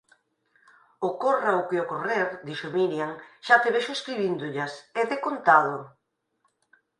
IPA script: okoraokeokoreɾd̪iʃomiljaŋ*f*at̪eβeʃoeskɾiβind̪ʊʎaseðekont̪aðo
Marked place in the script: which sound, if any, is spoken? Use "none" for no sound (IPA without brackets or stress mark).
ʃ